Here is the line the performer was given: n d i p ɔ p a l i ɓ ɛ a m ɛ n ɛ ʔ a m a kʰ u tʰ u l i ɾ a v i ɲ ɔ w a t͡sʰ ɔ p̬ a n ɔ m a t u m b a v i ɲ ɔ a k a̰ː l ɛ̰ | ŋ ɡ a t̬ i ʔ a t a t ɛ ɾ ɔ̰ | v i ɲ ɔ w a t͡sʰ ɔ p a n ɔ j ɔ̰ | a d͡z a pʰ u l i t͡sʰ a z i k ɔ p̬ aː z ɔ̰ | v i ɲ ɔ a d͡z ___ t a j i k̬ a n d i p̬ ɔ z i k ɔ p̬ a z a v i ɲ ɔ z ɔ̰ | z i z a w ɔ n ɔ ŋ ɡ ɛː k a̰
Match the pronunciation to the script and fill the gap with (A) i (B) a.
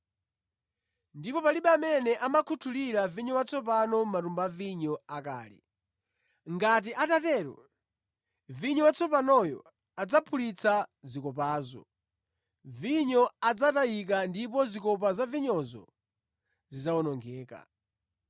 B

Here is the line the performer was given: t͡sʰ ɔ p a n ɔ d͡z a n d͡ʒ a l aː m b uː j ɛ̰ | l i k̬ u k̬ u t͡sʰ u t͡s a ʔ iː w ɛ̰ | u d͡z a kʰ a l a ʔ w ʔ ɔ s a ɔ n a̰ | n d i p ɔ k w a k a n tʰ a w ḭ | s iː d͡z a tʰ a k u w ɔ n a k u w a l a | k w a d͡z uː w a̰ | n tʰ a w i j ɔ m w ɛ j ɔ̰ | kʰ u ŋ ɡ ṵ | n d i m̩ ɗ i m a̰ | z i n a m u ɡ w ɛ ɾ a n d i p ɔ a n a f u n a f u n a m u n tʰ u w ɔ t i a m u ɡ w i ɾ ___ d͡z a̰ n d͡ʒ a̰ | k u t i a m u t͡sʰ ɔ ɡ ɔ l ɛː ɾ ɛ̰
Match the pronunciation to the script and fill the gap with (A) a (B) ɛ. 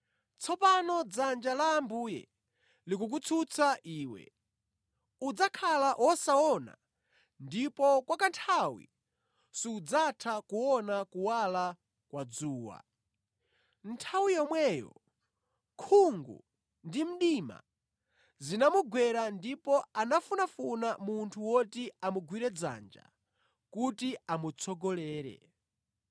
B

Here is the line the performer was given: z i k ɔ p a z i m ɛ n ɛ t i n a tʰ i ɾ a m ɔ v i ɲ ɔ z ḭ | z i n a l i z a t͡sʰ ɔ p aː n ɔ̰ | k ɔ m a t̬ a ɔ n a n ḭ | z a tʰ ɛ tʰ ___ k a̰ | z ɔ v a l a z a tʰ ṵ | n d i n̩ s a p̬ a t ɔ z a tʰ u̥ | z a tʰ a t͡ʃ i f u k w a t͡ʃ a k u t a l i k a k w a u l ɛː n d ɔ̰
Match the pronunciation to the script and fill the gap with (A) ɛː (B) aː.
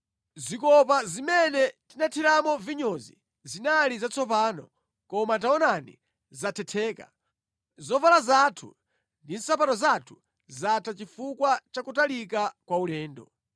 A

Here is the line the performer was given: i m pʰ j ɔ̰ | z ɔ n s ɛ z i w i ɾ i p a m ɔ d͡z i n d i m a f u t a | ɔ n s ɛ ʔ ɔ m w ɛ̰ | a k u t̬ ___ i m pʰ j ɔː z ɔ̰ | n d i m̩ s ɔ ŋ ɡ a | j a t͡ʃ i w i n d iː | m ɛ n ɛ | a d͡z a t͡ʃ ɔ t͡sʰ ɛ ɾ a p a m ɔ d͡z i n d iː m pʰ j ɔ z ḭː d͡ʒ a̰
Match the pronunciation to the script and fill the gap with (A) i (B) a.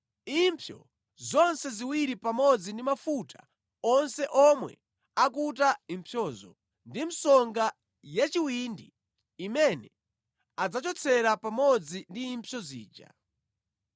B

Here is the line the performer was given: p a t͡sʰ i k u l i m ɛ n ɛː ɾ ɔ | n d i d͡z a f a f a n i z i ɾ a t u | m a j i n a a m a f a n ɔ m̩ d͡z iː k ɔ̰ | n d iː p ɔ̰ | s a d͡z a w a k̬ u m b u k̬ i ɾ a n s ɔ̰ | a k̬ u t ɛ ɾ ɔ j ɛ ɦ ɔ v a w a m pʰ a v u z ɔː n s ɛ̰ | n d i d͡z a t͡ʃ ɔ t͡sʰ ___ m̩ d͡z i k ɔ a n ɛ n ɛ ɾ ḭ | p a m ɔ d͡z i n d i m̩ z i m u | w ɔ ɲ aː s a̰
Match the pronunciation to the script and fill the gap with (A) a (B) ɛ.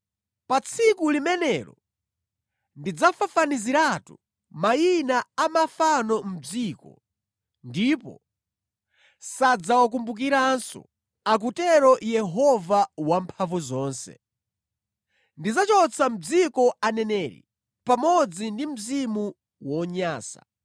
A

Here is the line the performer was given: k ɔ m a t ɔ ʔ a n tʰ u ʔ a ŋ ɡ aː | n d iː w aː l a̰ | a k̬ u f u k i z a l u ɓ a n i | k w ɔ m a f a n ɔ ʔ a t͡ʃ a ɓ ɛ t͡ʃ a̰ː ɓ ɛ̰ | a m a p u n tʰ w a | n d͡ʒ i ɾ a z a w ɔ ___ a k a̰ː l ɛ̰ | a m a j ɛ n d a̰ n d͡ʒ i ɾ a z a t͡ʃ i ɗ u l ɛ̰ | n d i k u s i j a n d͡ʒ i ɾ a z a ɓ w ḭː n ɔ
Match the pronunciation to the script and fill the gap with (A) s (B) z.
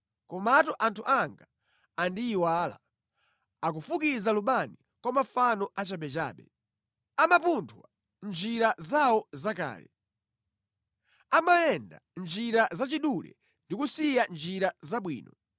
B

